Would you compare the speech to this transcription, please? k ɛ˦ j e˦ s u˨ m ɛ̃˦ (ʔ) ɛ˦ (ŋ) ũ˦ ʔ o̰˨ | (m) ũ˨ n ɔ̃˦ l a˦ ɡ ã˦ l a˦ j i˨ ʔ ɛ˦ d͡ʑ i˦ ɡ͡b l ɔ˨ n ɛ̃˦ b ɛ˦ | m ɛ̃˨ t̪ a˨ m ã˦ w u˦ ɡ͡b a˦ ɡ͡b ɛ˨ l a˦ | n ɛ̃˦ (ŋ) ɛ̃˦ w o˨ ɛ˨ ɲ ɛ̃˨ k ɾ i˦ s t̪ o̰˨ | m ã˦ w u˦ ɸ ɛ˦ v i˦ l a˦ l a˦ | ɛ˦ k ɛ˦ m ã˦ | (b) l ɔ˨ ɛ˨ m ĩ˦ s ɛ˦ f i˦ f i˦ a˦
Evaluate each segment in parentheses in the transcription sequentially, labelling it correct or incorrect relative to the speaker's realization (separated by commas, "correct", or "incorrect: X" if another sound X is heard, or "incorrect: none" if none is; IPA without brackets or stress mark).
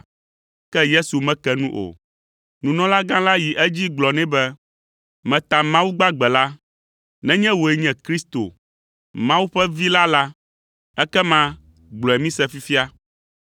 incorrect: k, incorrect: n, incorrect: n, incorrect: ɲ, incorrect: ɡ͡b